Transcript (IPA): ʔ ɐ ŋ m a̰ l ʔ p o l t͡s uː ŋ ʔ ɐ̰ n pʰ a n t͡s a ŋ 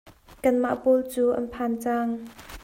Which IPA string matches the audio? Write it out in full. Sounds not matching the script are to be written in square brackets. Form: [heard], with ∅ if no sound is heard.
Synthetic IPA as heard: [k] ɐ [n] m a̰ [∅] ʔ p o l t͡s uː [∅] ʔ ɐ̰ n pʰ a n t͡s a ŋ